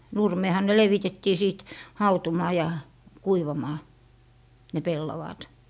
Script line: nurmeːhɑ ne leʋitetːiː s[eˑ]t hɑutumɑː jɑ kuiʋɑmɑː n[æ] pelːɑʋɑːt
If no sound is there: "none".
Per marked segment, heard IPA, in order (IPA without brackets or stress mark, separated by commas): iˑ, e